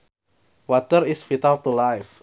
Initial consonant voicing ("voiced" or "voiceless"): voiced